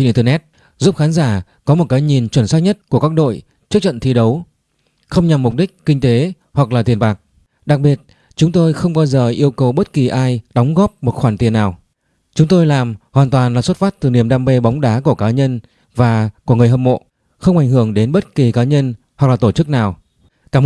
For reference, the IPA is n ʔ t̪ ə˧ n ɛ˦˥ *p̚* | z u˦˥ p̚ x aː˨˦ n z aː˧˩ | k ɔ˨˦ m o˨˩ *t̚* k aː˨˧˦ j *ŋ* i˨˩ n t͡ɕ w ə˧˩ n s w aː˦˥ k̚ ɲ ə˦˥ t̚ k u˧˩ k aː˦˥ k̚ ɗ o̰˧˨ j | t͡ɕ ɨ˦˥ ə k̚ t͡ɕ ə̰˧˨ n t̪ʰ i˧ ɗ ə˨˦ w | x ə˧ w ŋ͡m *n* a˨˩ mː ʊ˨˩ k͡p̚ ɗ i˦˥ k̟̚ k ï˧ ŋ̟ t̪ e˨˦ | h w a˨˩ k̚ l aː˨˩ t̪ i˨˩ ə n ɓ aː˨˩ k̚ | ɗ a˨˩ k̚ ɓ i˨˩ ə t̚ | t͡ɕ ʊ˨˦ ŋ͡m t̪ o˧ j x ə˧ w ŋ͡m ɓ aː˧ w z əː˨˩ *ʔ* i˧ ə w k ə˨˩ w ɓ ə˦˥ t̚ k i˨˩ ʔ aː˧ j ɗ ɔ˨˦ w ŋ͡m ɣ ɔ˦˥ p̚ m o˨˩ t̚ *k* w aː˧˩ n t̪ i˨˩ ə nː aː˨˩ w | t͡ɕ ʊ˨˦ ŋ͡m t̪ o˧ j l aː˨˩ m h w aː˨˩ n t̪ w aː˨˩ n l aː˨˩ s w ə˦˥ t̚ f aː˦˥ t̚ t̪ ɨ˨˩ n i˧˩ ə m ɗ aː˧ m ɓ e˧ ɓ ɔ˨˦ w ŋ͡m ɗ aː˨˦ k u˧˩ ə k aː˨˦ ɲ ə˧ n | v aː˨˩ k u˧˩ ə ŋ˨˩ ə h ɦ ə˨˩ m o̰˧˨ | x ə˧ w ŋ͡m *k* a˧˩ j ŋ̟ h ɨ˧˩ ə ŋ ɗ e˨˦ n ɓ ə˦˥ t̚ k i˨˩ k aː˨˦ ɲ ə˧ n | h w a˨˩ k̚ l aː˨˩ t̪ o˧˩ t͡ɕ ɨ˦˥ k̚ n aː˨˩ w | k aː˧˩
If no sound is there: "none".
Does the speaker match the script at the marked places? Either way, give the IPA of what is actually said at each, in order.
t̚, t̚, ɲ, ɲ, ʔ, x, ʔ

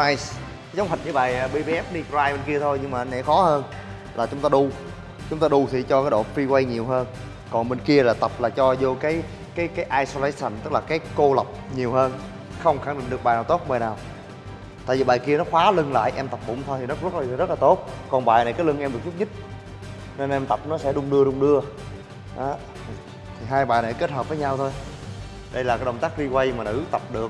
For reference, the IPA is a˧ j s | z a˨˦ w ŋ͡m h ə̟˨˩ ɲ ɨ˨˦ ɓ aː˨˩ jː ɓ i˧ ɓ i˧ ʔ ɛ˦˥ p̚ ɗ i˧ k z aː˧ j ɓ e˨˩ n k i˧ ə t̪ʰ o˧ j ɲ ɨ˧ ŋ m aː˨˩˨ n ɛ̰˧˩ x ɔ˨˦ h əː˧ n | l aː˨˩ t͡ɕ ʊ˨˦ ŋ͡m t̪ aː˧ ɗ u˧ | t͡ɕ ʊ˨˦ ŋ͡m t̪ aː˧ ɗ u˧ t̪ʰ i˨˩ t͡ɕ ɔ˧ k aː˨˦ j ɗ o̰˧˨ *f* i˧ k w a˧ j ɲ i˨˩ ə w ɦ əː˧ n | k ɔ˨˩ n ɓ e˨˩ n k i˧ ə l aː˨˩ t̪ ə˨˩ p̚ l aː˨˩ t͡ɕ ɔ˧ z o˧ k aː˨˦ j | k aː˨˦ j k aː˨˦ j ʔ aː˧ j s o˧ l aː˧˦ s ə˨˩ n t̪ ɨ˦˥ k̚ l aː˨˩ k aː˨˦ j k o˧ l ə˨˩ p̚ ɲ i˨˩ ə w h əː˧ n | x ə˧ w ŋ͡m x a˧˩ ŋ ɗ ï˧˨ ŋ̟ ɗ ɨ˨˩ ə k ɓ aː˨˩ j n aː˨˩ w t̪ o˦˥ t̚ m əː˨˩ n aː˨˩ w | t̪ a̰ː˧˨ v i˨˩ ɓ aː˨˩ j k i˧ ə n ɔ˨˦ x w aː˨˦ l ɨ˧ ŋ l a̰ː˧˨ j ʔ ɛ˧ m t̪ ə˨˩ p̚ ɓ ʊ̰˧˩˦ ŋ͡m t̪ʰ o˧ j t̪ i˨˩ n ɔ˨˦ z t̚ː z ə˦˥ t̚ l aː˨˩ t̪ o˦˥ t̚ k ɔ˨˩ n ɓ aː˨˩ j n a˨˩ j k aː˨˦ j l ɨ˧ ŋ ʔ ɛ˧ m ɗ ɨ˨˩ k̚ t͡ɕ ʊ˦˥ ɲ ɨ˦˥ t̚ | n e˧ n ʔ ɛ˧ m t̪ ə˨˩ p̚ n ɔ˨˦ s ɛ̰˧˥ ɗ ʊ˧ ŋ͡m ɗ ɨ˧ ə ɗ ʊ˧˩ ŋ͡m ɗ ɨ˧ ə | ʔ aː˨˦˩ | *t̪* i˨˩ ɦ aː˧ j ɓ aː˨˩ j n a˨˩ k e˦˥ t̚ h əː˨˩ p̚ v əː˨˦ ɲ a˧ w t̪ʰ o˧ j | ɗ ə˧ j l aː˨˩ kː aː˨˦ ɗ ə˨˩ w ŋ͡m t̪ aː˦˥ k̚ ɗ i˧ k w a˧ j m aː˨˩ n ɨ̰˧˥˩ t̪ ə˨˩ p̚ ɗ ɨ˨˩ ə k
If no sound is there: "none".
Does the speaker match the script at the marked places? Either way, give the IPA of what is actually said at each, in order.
f, t̪ʰ

